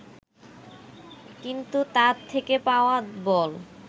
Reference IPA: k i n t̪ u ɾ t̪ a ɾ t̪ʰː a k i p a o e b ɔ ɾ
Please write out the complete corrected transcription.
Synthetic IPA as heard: k i n t̪ u t̪ a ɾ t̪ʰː e k e p a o a b ɔ l